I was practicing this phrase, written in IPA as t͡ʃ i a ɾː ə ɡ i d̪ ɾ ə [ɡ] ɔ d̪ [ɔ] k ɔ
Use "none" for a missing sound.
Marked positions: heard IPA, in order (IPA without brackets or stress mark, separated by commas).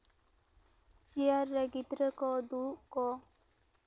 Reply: k, u